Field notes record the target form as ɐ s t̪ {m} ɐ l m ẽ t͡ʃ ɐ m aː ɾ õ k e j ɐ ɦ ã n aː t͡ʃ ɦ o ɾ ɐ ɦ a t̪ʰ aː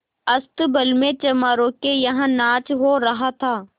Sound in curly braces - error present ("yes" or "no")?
yes